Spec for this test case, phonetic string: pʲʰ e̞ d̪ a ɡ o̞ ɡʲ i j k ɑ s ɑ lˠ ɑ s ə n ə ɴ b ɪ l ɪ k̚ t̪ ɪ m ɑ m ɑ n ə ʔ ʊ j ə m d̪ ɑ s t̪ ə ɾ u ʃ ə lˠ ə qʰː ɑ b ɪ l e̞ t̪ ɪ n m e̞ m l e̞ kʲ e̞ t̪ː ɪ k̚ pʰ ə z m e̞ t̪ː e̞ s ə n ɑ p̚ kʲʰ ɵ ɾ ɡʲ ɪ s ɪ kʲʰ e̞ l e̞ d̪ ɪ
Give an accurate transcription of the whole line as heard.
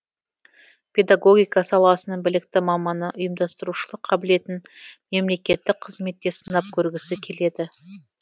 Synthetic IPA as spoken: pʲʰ e̞ d̪ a ɡ o̞ ɡʲ i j k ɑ s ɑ lˠ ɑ s ə n ə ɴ b ɪ l ɪ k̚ t̪ ɪ m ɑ m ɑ n ə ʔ ʊ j ə m d̪ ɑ s t̪ ə ɾ u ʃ ə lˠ ə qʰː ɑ b ɪ l e̞ t̪ ɪ n m e̞ m l e̞ kʲ e̞ t̪ː ɪ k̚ qʰ ə z m e̞ t̪ː e̞ s ə n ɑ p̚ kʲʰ ɵ ɾ ɡʲ ɪ s ɪ kʲʰ e̞ l e̞ d̪ ɪ